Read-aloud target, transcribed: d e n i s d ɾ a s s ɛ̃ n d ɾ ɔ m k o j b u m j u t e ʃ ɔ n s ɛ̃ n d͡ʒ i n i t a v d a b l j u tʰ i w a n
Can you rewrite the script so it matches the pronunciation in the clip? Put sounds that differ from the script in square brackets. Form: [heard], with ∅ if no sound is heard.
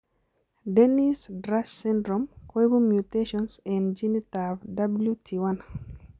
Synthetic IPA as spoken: d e n i s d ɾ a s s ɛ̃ n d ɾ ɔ m k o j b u m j u t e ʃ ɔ n s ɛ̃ n d͡ʒ i n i t a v d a b l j u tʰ i w a n

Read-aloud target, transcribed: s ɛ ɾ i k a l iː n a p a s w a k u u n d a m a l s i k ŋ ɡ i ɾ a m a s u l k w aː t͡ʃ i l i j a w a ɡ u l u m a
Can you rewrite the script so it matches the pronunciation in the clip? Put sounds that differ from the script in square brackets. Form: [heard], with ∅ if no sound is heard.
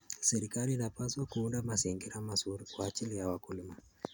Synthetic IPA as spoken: s ɛ ɾ i k a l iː n a p a s w a k u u n d a m a [∅] s i [∅] ŋ ɡ i ɾ a m a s u [ɾ] k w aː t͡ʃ i l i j a w a [k] u l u m a

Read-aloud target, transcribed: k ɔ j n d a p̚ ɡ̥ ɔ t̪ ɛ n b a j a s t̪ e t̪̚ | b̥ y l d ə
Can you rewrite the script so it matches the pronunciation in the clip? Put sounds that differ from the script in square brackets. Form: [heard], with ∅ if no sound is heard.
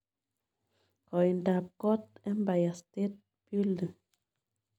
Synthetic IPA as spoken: k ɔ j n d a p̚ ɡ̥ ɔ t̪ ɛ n b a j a s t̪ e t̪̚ | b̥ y l d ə

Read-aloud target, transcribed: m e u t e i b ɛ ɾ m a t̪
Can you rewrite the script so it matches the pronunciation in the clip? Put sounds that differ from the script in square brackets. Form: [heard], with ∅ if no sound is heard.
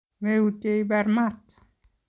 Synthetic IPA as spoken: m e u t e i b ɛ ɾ m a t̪

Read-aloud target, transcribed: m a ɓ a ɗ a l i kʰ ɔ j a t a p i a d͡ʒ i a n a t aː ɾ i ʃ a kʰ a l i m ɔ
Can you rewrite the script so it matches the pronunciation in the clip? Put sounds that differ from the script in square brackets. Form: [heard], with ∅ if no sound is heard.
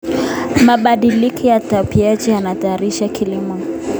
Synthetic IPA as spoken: m a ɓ a ɗ [i] l i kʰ ɔ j a t a p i a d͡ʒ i a n a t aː ɾ i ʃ a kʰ [i] l i m ɔ

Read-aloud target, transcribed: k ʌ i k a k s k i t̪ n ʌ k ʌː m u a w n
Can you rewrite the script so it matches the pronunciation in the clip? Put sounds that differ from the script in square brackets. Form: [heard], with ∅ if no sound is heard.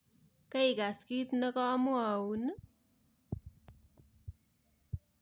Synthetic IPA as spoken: k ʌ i [ɡ] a [∅] s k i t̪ n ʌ k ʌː m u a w n

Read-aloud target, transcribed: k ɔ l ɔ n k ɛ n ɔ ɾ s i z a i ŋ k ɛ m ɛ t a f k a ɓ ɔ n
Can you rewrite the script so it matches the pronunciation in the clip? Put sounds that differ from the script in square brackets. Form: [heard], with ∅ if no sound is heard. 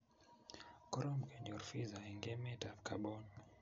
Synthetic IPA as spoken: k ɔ [ɾ] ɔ [m] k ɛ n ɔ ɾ [f] i z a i ŋ [ɡ] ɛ m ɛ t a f k a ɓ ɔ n

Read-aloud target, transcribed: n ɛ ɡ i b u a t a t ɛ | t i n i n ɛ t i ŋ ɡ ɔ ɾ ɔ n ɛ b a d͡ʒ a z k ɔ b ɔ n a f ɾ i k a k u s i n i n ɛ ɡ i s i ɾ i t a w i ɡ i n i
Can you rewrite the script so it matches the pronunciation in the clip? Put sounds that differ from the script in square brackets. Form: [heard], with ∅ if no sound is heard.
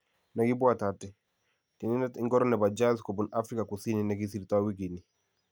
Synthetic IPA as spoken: n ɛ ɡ i b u a t a t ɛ | t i n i n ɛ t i ŋ ɡ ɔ ɾ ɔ n ɛ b a d͡ʒ a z k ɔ b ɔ n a f ɾ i k a k u s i n i n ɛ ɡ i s i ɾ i t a w i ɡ i n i

